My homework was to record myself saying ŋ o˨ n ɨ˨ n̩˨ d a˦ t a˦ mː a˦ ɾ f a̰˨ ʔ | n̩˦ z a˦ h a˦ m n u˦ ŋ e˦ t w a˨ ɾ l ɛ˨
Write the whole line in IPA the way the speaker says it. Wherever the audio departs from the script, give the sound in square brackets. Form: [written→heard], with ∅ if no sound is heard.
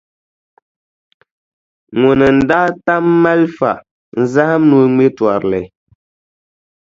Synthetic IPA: ŋ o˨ n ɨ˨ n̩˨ d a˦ t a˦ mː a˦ [ɾ→l] f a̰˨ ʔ | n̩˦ z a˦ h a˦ m n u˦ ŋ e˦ t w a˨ ɾ l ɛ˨